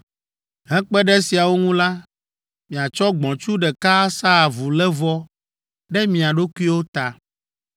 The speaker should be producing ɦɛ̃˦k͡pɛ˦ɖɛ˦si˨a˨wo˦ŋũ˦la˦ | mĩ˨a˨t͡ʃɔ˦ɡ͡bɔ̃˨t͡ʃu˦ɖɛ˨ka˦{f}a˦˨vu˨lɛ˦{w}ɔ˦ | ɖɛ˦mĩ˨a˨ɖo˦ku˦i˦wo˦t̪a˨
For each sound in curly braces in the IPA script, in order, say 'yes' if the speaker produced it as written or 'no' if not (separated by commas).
no, no